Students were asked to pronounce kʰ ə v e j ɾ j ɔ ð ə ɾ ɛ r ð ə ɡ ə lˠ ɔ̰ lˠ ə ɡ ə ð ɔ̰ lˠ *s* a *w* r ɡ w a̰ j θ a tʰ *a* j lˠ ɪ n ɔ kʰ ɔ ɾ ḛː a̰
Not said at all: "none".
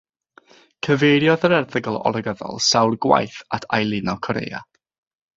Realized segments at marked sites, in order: s, w, a

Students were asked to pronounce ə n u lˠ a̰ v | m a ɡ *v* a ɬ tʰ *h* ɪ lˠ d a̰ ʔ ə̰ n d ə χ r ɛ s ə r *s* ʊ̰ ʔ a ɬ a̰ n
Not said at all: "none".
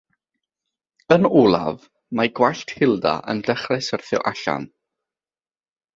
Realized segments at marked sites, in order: w, h, θ

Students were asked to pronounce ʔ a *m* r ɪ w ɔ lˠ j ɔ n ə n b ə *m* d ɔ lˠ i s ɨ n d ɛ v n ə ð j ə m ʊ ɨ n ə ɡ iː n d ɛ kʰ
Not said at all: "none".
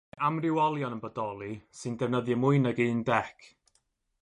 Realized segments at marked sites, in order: m, none

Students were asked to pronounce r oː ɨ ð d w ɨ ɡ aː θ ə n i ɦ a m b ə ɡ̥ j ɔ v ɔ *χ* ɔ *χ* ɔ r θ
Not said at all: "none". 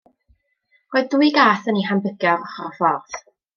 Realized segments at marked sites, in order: χ, f

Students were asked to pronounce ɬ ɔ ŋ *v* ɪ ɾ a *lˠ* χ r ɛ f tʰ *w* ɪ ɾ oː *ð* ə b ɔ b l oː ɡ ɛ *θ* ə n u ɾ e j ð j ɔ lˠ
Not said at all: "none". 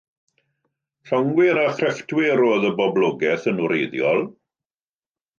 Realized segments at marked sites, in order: w, none, w, ð, θ

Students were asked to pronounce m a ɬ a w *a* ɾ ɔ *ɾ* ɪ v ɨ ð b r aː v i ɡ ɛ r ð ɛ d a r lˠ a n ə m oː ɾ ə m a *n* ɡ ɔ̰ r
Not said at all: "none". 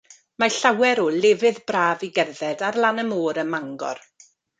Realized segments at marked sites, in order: ɛ, l, ŋ

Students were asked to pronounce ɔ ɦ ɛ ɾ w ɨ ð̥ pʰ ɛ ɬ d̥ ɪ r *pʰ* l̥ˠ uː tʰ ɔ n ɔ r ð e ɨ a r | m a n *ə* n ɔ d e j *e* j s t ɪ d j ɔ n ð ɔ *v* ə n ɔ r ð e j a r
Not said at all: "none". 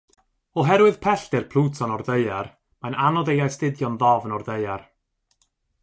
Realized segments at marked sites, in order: pʰ, a, a, v

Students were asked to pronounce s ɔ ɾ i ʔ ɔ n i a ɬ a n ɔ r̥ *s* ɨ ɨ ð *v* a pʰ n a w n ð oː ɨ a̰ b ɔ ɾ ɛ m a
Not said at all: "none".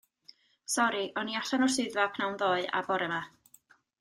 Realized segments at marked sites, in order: s, v

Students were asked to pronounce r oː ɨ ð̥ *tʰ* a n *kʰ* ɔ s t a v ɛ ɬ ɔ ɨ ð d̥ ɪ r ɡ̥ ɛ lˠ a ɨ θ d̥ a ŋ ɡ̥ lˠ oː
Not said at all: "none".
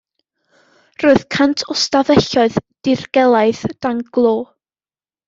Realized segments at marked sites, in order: kʰ, tʰ

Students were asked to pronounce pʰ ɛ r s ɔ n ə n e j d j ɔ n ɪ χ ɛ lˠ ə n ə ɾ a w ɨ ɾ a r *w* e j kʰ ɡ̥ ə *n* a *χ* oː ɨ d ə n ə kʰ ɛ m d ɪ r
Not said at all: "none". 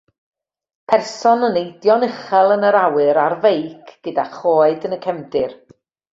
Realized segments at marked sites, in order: v, d, χ

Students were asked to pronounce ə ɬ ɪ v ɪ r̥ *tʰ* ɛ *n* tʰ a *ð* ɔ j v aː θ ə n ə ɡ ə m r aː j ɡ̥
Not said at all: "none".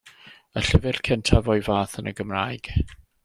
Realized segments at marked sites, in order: kʰ, n, v

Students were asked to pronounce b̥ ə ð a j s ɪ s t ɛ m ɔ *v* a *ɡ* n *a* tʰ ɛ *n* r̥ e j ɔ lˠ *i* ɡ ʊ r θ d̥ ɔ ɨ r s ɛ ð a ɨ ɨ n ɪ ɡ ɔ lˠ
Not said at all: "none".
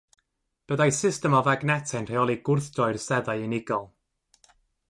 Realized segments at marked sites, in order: v, ɡ, ɛ, n, i

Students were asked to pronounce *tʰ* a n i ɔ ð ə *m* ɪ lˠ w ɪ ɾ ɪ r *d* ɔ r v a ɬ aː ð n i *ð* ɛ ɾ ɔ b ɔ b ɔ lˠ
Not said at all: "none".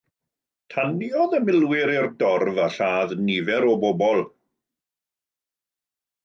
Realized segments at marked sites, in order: tʰ, m, d, v

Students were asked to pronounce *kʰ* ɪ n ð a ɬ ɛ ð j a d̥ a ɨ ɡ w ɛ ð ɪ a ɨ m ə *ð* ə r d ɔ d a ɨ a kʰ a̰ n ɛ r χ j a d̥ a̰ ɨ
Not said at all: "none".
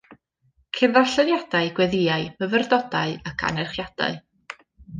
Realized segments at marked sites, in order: kʰ, v

